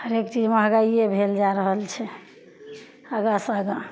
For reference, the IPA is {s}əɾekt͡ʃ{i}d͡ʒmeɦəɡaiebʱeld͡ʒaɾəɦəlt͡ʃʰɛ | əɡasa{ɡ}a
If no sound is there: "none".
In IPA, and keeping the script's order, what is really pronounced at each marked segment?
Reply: h, i, ɡ

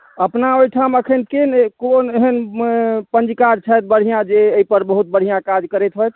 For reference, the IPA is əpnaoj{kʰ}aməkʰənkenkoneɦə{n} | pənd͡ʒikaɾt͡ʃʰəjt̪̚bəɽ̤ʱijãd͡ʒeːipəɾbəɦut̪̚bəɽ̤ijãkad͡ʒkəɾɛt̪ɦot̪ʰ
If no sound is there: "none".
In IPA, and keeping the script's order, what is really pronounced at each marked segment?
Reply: ʈʰ, n

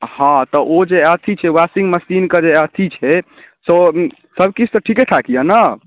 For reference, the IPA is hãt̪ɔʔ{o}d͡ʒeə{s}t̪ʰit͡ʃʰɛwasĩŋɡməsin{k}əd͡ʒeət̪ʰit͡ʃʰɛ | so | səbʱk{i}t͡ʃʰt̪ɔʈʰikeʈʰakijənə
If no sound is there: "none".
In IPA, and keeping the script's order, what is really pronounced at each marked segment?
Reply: o, none, k, i

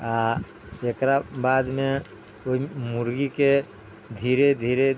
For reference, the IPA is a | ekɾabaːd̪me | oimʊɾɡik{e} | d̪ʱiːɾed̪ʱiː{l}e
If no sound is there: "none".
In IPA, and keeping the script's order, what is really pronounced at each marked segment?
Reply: e, ɾ

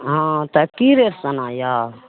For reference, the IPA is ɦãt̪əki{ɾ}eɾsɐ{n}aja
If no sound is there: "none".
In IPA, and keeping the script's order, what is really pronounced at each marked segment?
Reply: ɾ, n

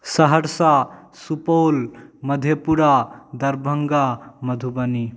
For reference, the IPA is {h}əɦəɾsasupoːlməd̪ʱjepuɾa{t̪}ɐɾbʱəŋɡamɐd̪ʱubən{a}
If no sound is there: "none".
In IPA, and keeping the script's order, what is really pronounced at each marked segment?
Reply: s, d̪, i

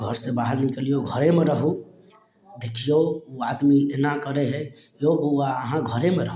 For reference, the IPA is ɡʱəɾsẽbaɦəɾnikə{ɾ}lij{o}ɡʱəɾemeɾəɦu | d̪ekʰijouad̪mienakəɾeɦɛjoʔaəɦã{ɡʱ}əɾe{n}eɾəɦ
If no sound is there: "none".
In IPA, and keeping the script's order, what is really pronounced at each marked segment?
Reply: none, o, ɡʱ, m

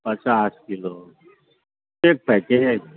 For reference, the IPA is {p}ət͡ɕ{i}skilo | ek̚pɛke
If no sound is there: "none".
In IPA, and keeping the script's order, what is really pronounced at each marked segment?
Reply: p, a

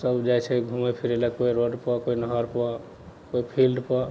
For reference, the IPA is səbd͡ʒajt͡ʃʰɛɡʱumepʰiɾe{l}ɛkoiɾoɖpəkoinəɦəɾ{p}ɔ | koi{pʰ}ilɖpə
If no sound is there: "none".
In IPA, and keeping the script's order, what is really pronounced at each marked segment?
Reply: l, p, pʰ

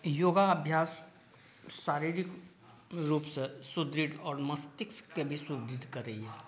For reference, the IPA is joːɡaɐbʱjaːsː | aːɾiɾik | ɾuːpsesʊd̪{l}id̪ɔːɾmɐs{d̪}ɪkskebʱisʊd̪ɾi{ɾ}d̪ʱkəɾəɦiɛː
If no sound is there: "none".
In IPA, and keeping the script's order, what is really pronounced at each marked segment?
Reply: ɾ, t̪, none

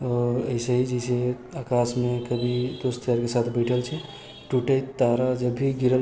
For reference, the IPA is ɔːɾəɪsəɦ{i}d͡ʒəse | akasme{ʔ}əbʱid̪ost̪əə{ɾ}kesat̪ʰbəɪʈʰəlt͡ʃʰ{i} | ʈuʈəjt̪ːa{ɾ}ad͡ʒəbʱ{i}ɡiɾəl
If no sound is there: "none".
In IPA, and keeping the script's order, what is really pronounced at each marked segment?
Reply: i, k, ɾ, ɛ, ɾ, i

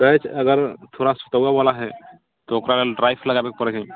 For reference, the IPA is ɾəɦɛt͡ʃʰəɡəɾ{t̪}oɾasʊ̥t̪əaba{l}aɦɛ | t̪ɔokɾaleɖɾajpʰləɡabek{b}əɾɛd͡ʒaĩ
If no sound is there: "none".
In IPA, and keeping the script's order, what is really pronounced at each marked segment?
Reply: t̪ʰ, l, p

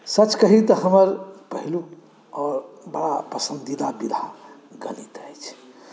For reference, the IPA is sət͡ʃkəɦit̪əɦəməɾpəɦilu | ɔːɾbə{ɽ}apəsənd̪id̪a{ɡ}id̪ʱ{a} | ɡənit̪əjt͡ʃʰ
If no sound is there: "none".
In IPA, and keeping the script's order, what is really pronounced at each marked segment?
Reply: ɽ, b, a

